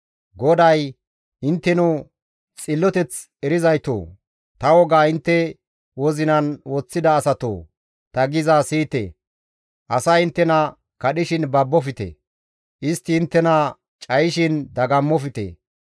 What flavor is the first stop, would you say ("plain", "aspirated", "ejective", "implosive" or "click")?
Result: plain